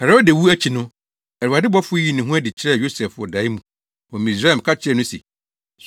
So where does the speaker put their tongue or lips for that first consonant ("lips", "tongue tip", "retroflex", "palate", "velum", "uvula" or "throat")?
throat